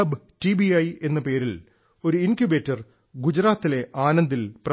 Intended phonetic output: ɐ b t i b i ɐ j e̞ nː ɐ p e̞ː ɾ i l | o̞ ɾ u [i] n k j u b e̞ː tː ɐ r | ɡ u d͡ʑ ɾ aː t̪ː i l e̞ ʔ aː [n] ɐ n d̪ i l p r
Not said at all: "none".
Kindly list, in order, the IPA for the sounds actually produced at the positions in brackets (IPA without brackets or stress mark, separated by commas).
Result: i, n